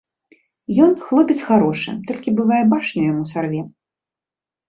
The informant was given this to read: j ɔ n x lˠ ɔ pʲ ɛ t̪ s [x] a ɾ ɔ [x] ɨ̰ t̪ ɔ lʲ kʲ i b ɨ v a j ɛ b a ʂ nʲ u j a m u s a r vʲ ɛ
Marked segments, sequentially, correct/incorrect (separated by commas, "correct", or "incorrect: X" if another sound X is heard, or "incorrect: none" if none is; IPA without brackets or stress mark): correct, incorrect: ʂ